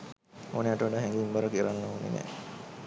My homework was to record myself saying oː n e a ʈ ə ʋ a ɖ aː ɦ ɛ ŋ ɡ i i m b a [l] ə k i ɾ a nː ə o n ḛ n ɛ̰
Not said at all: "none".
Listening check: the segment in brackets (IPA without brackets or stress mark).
ɾ